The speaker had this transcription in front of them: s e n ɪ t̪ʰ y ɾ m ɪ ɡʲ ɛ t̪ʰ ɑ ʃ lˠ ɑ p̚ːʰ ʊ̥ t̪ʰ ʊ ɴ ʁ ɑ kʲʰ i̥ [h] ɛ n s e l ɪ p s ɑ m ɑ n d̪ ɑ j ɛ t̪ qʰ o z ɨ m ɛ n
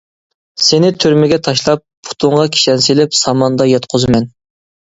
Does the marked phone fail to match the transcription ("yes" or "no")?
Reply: yes